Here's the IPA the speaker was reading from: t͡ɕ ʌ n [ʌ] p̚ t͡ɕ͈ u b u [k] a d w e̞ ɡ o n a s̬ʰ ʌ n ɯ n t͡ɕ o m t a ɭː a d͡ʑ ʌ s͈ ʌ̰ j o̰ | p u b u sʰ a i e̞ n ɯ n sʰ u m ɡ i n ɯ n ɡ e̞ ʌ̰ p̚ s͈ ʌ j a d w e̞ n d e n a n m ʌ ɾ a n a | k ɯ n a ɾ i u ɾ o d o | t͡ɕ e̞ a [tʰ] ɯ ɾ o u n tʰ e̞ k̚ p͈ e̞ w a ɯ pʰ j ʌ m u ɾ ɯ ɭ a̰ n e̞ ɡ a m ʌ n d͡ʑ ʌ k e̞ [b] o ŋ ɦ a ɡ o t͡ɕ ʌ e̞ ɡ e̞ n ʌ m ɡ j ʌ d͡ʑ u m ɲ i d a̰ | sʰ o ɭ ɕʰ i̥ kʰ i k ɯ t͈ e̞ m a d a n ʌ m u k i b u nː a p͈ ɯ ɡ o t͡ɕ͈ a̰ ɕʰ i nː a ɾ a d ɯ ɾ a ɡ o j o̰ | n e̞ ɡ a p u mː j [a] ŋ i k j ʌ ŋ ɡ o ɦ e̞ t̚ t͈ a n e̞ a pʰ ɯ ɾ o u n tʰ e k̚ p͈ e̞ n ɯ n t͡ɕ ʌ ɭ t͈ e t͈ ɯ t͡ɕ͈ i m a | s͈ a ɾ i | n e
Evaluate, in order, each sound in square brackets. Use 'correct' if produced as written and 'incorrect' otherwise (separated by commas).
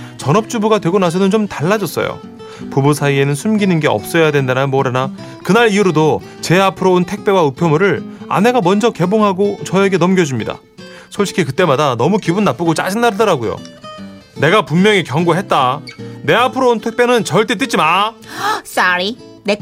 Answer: correct, incorrect, incorrect, correct, incorrect